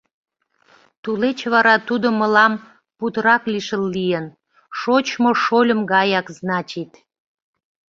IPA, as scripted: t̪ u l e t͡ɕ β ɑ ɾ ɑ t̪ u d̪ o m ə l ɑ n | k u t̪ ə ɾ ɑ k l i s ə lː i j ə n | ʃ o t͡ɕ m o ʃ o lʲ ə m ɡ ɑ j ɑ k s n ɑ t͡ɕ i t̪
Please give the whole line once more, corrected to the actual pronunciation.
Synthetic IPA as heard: t̪ u l e t͡ɕ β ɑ ɾ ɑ t̪ u d̪ o m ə l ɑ m | p u t̪ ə ɾ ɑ k l i ʃ ə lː i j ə n | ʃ o t͡ɕ m o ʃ o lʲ ə m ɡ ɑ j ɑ k z n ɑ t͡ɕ i t̪